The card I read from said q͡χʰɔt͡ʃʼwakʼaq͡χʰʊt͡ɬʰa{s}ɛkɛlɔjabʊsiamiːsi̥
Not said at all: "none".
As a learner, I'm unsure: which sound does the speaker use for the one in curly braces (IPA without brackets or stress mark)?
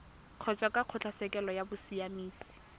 s